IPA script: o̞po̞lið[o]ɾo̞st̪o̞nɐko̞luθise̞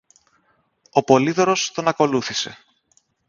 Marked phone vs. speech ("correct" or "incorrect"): correct